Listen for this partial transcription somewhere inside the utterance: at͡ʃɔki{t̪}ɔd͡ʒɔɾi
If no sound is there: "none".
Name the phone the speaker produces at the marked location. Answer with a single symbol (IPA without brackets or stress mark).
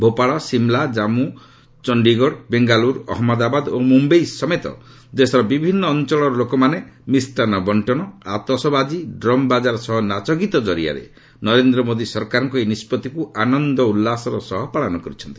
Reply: t̪